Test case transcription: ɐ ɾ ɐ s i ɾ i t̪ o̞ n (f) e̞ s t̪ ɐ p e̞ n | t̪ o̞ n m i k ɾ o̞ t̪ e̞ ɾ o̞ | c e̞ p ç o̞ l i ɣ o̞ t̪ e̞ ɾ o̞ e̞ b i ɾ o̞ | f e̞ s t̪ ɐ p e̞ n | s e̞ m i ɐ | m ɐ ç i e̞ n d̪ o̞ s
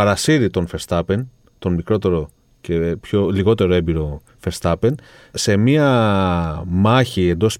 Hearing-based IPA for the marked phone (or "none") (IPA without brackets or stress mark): f